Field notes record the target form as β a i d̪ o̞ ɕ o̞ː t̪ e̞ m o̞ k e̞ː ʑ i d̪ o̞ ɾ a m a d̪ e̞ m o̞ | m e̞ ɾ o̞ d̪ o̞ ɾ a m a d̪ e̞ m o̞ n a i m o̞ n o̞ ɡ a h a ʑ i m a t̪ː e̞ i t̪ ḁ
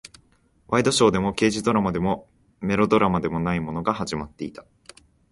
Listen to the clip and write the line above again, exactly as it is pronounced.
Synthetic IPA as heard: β a i d̪ o̞ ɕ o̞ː d̪ e̞ m o̞ k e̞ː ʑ i d̪ o̞ ɾ a m a d̪ e̞ m o̞ | m e̞ ɾ o̞ d̪ o̞ ɾ a m a d̪ e̞ m o̞ n a i m o̞ n o̞ ɡ a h a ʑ i m a t̪ː e̞ i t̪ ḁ